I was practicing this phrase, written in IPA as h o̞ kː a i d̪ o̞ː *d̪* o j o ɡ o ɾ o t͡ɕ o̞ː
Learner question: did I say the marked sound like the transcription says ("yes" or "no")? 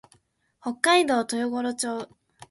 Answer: no